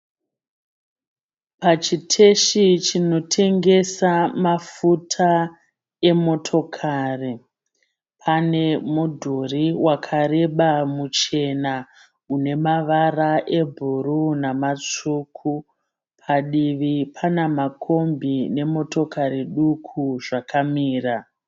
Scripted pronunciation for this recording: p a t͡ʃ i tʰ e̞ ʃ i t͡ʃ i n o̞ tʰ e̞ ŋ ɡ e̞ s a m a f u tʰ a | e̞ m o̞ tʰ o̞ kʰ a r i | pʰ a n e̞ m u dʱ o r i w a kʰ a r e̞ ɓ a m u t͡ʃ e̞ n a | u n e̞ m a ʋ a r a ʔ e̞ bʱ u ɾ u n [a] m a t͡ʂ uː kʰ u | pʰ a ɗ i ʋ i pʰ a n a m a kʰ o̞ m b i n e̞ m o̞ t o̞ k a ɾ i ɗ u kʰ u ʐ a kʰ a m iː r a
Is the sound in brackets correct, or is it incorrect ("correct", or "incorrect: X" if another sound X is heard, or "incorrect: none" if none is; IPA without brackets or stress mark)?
correct